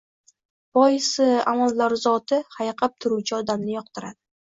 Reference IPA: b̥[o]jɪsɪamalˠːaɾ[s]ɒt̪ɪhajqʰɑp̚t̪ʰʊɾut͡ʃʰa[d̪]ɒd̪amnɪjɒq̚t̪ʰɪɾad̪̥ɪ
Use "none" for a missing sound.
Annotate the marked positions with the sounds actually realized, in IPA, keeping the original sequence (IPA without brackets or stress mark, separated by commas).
ɒ, z, none